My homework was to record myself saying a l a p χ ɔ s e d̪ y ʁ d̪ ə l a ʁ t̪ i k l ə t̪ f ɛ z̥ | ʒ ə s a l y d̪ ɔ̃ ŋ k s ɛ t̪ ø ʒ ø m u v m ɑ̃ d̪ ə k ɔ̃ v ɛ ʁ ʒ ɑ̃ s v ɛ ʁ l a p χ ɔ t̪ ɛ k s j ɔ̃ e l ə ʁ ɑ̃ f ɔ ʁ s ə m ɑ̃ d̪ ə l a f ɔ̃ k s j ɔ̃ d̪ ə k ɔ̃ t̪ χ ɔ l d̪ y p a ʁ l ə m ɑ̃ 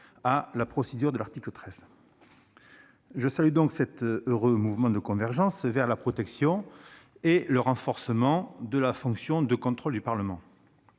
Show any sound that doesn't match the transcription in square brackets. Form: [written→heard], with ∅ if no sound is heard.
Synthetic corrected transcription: a l a p χ ɔ s e d̪ y ʁ d̪ ə l a ʁ t̪ i k l ə t̪ [f→χ] ɛ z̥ | ʒ ə s a l y d̪ ɔ̃ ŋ k s ɛ t̪ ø [ʒ→ʁ] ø m u v m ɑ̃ d̪ ə k ɔ̃ v ɛ ʁ ʒ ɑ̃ s v ɛ ʁ l a p χ ɔ t̪ ɛ k s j ɔ̃ e l ə ʁ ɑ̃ f ɔ ʁ s ə m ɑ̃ d̪ ə l a f ɔ̃ k s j ɔ̃ d̪ ə k ɔ̃ t̪ χ ɔ l d̪ y p a ʁ l ə m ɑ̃